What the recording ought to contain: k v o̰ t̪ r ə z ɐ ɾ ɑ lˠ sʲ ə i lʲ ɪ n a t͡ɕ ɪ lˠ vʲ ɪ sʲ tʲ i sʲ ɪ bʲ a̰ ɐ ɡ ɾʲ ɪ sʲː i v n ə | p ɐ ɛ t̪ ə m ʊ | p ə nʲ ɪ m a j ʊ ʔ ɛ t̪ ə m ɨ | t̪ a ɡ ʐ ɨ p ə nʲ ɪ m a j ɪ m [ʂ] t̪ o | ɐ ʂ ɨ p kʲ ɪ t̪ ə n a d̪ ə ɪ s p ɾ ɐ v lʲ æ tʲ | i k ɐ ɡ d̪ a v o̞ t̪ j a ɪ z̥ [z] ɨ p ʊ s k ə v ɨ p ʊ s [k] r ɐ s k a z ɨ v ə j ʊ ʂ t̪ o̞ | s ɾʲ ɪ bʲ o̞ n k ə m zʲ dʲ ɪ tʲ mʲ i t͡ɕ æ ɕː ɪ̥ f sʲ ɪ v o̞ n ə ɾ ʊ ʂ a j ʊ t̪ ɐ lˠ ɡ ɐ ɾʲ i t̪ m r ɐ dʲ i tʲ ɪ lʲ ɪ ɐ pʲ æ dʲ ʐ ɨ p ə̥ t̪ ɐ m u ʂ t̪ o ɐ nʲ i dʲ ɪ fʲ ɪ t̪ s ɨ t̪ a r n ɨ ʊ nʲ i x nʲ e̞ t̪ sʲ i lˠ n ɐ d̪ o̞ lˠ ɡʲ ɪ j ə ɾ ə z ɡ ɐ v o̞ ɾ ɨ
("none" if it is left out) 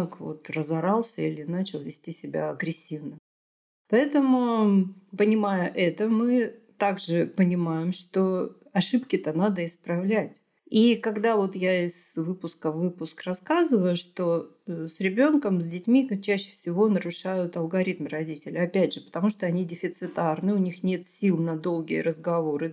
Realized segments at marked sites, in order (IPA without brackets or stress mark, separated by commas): ʂ, v, k